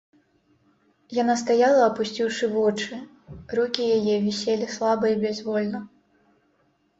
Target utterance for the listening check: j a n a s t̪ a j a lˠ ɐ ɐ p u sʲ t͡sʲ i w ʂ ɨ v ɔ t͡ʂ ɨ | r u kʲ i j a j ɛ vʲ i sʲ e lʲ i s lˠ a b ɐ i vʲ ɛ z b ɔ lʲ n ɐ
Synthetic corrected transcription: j a n a s t̪ a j a lˠ ɐ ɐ p u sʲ t͡sʲ i w ʂ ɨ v ɔ t͡ʂ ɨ | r u kʲ i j a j ɛ vʲ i sʲ e lʲ i s lˠ a b ɐ i bʲ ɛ z v ɔ lʲ n ɐ